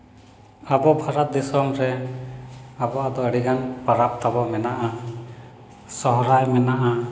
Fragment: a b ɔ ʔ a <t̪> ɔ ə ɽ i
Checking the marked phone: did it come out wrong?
yes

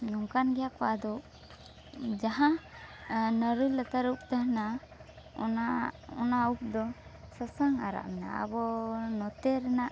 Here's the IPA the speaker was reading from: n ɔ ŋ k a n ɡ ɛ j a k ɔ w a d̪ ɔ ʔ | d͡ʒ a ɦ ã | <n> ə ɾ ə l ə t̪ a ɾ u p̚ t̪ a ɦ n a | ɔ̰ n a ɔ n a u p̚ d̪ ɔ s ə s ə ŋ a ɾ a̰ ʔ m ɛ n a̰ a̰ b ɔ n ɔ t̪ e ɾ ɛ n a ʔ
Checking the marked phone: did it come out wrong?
no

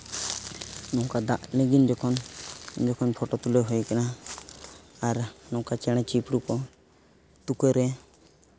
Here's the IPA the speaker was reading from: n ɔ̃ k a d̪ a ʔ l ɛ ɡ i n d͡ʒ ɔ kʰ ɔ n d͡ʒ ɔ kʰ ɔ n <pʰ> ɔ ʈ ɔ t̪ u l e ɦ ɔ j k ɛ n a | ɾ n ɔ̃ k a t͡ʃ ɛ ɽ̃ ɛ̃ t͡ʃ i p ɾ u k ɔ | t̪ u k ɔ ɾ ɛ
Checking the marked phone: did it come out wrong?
no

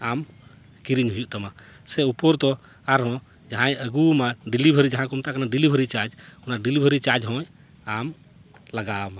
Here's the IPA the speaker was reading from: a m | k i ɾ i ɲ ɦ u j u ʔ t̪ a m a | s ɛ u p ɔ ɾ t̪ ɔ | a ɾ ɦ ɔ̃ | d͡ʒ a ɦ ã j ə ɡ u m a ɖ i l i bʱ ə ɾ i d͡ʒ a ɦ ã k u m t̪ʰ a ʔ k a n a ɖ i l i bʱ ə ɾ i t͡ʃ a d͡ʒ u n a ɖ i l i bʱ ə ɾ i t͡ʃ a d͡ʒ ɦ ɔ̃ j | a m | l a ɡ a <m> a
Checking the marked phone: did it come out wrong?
no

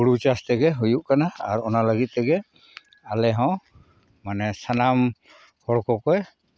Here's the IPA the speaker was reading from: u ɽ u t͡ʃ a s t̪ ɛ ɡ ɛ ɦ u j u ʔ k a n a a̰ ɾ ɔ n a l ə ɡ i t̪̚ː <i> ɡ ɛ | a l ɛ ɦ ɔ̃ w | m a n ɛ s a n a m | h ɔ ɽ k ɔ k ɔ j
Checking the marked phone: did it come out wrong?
yes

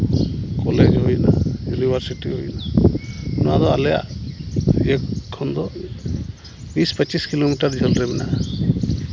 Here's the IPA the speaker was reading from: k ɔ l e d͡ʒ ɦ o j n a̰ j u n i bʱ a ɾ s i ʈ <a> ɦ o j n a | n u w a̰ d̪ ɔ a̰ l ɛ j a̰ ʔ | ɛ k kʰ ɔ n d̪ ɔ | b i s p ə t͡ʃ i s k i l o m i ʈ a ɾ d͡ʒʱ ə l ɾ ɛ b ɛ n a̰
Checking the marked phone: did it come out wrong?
yes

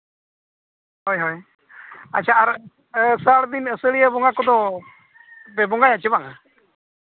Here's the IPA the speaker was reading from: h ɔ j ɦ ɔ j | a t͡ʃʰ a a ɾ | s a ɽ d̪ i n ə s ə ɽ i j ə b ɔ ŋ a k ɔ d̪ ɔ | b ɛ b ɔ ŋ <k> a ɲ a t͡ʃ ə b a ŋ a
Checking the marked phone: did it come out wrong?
yes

